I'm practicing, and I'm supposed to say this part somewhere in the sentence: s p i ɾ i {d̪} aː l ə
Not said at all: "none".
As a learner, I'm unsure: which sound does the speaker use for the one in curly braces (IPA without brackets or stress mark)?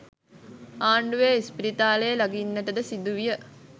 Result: t̪